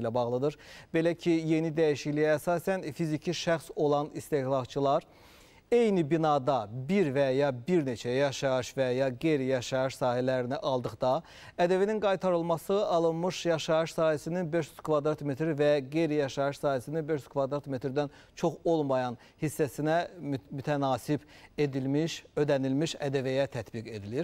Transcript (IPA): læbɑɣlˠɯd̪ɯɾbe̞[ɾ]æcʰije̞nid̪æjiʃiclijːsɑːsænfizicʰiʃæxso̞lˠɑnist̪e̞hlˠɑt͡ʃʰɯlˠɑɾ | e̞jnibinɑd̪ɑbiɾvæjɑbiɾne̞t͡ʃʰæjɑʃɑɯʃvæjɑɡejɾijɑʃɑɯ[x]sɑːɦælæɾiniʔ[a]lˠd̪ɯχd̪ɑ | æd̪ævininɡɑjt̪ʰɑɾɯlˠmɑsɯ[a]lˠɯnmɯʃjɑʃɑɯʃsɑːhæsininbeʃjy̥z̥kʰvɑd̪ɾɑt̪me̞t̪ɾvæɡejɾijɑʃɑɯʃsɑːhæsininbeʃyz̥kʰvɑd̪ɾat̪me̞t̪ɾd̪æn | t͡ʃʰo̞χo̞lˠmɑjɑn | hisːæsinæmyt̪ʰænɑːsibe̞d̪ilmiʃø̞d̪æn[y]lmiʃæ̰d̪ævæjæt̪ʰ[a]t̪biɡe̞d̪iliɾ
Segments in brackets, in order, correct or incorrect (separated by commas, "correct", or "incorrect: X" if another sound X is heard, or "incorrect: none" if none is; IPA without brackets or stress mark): incorrect: l, incorrect: ʃ, incorrect: ɑ, incorrect: ɑ, incorrect: i, incorrect: æ